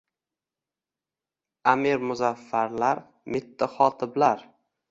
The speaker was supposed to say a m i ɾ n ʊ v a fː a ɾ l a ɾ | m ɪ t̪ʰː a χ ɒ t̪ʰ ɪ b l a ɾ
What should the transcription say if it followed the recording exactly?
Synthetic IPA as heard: a m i ɾ m ʊ z a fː a ɾ l a ɾ | m ɪ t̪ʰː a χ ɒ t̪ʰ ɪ b l a ɾ